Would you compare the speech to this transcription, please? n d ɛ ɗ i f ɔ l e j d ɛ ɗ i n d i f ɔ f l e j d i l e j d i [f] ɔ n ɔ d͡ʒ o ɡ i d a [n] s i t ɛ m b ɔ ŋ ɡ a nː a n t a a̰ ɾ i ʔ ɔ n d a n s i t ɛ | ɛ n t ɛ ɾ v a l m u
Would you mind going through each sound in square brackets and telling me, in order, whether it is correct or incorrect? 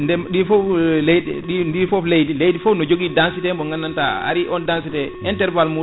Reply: correct, correct

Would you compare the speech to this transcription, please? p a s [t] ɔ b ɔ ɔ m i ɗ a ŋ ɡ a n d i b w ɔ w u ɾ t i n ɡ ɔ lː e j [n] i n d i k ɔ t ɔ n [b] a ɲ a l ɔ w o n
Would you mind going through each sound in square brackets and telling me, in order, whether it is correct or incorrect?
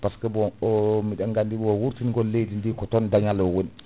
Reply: incorrect: k, incorrect: d, incorrect: d

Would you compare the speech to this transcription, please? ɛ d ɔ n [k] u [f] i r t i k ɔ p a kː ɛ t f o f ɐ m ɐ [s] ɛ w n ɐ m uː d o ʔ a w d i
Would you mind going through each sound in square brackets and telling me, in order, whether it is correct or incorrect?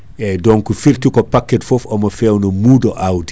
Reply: correct, correct, incorrect: f

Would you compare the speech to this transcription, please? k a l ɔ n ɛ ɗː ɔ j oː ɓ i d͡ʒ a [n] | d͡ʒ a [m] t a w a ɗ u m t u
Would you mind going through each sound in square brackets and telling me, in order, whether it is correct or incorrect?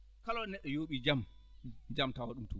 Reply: incorrect: m, correct

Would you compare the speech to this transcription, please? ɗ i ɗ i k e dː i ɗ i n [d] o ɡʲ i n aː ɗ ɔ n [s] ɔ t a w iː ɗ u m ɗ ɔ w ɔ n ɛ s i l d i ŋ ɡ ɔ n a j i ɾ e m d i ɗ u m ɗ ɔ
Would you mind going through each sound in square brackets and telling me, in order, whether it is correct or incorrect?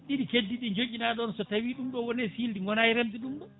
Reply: incorrect: d͡ʒ, correct

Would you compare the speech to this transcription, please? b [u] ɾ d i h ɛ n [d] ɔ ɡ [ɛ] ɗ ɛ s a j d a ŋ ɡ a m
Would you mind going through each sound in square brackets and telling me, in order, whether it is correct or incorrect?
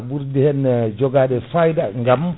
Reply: correct, incorrect: d͡ʒ, incorrect: a

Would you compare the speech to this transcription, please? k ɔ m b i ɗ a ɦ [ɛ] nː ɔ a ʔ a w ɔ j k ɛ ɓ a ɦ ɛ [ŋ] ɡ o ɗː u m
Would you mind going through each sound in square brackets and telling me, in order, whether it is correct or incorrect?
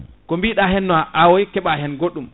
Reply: correct, incorrect: n

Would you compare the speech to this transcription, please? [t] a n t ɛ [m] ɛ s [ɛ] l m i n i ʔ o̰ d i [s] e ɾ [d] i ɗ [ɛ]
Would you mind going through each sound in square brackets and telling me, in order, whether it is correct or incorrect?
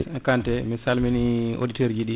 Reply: incorrect: k, correct, incorrect: a, incorrect: t, incorrect: d͡ʒ, incorrect: i

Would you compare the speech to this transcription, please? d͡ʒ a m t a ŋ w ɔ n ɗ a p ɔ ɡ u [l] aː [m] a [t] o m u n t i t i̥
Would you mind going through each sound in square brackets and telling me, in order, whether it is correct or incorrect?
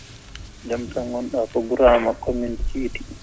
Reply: incorrect: ɾ, correct, incorrect: k

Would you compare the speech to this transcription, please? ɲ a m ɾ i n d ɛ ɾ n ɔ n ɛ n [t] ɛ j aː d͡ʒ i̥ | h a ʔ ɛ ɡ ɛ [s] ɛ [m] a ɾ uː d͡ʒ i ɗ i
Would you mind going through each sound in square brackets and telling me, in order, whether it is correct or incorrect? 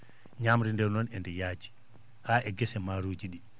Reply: incorrect: d, correct, correct

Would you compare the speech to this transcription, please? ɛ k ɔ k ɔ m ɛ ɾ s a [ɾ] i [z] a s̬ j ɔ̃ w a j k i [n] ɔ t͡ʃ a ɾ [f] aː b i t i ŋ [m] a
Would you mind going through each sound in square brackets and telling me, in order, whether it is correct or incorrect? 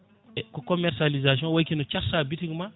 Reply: incorrect: l, correct, correct, incorrect: s, correct

